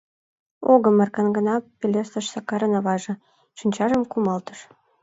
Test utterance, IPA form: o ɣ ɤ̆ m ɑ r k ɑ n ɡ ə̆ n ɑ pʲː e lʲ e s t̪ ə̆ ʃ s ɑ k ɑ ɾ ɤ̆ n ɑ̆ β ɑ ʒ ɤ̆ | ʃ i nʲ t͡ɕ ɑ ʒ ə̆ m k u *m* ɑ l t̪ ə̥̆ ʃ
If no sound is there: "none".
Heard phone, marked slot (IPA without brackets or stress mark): m